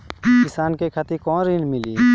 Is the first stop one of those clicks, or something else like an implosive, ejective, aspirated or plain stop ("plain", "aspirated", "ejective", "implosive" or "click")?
plain